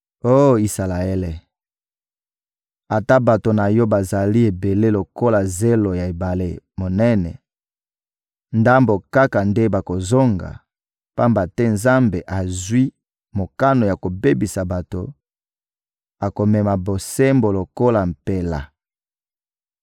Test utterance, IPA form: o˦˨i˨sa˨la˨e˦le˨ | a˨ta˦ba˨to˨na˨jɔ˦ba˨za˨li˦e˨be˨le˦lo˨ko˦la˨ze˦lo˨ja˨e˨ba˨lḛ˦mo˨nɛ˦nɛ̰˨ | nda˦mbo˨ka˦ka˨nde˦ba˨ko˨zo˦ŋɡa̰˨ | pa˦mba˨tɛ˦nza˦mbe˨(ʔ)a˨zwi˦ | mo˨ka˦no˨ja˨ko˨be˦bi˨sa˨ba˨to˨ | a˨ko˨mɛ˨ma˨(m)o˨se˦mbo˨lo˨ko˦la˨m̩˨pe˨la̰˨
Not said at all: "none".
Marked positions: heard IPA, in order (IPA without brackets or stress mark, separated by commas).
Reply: ʔ, b